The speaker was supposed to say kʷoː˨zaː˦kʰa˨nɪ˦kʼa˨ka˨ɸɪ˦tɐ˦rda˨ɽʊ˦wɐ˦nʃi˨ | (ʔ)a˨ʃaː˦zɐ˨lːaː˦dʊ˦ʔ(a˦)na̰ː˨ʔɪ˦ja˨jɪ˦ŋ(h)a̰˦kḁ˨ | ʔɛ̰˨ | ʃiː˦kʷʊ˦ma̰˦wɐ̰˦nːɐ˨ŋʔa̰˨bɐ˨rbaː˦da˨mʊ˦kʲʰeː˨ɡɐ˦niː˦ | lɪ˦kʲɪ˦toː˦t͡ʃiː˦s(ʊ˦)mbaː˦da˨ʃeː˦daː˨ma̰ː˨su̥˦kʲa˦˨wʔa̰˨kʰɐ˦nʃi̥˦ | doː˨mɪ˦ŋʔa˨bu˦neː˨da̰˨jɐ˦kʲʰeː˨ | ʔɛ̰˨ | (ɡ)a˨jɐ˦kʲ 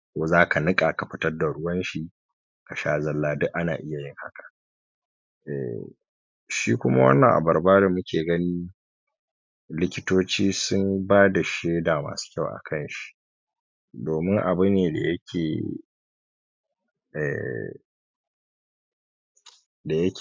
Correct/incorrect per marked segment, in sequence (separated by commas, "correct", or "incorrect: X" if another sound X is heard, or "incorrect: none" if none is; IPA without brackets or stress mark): incorrect: k, correct, correct, correct, incorrect: d